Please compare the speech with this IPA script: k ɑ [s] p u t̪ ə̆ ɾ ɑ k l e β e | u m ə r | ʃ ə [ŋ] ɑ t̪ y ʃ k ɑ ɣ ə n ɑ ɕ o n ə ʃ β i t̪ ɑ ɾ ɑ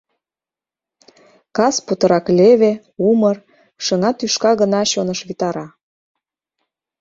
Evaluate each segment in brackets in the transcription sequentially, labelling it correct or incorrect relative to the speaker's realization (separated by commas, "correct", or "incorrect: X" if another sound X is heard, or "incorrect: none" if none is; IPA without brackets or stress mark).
correct, correct